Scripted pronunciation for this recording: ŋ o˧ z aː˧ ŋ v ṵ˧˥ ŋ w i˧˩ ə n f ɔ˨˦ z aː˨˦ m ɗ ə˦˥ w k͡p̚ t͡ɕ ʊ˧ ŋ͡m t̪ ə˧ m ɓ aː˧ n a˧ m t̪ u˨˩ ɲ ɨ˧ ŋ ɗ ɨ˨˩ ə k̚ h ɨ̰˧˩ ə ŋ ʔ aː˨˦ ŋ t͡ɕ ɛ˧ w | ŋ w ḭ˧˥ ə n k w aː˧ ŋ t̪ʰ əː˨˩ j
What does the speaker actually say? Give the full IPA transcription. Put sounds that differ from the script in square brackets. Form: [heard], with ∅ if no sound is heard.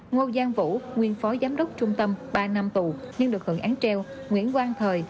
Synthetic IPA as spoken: ŋ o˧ z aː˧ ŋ v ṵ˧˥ ŋ w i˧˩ ə n f ɔ˨˦ z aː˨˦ m ɗ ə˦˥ w k͡p̚ t͡ɕ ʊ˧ ŋ͡m t̪ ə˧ m ɓ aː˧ n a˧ m t̪ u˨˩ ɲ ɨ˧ ŋ ɗ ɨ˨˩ ə k̚ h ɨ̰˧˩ ə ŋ ʔ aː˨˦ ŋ t͡ɕ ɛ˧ w | ŋ w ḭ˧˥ ə n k w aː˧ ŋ t̪ʰ əː˨˩ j